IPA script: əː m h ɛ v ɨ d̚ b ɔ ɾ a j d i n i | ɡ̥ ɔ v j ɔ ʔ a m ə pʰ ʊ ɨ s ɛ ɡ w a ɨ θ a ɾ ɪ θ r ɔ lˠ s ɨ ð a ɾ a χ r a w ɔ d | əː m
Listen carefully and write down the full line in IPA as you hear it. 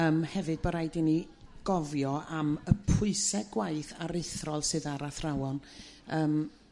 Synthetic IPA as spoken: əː m h ɛ v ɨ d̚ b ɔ ɾ a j d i n i | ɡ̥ ɔ v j ɔ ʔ a m ə pʰ ʊ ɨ s ɛ ɡ w a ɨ θ a ɾ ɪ θ r ɔ lˠ s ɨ ð a ɾ a θ r a w ɔ n | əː m